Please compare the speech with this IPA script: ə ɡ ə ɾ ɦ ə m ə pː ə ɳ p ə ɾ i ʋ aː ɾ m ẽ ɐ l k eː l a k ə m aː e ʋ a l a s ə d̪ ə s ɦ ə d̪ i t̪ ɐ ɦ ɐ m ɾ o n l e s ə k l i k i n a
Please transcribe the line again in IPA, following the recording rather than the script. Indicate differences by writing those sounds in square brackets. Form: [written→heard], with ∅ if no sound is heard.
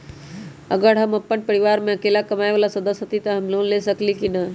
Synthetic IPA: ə ɡ ə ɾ ɦ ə m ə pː ə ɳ p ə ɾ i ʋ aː ɾ m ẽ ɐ [l→∅] k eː l a k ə m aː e ʋ a l a s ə d̪ ə s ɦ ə [d̪→t̪] i t̪ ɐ ɦ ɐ m [ɾ→l] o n l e s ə k l i k i n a